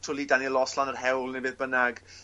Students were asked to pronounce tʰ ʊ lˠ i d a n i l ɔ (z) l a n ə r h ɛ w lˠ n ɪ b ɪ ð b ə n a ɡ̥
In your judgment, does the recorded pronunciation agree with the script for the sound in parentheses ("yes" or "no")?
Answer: no